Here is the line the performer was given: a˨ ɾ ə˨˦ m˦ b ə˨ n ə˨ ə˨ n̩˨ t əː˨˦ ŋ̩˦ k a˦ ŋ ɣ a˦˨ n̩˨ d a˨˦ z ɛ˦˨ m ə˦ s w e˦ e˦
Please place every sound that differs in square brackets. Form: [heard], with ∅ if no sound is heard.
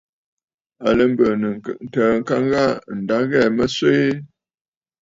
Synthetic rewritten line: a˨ [l] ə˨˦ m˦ b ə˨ n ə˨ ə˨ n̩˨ t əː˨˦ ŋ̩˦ k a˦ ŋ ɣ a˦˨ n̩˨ d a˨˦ [ɣ] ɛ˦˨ m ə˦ s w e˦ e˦